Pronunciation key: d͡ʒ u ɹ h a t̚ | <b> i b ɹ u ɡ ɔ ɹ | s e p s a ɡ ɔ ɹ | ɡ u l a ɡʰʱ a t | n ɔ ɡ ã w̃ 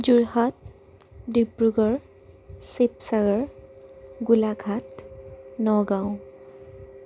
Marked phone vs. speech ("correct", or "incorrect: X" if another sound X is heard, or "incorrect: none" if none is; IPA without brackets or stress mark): incorrect: d